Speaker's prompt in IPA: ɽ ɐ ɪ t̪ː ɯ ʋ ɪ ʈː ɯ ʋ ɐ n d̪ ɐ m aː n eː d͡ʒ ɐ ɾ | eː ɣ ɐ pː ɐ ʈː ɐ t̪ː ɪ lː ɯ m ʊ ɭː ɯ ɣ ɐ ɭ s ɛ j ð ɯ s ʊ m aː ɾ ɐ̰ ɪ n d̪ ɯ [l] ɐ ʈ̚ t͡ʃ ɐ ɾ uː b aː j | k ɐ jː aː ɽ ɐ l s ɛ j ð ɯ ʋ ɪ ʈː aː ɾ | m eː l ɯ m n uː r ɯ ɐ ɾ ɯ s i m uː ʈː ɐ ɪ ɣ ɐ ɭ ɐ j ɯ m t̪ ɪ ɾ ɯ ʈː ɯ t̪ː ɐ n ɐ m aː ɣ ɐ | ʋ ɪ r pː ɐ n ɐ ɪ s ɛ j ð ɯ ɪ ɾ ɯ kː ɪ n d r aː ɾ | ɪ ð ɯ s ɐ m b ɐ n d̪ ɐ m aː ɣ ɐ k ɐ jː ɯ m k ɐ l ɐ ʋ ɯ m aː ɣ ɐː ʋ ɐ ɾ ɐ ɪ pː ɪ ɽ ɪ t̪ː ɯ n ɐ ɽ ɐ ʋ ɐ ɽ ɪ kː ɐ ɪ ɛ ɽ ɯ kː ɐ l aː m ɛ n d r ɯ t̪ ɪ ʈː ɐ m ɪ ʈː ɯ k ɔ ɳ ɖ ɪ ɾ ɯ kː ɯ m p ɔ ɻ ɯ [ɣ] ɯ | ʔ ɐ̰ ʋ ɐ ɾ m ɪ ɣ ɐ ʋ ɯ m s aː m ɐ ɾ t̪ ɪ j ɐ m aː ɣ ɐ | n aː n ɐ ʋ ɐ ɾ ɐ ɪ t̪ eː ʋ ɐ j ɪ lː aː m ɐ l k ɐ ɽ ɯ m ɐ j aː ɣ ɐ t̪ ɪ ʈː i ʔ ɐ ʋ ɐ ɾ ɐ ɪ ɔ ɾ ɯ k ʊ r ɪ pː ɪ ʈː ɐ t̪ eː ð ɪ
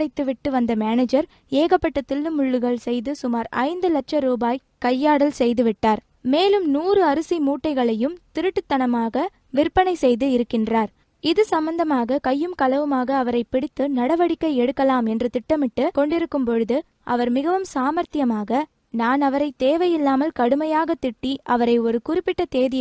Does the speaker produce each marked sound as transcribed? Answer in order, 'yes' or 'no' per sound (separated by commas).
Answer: yes, no